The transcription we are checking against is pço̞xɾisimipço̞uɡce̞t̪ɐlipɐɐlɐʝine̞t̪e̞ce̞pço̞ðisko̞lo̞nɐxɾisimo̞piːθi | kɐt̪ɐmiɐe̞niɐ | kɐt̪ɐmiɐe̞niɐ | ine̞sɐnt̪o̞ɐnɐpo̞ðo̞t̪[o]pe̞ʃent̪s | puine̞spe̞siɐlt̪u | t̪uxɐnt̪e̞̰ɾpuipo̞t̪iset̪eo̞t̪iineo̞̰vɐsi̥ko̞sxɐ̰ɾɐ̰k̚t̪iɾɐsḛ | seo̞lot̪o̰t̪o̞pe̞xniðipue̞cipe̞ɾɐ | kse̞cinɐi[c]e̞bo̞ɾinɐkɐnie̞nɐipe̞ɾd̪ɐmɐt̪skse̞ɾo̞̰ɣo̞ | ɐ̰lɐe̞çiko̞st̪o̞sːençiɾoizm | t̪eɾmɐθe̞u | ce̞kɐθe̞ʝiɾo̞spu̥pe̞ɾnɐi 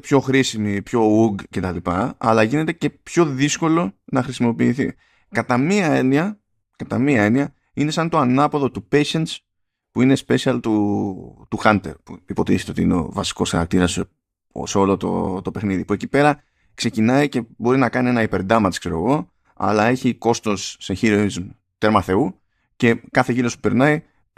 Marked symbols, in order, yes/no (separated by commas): no, yes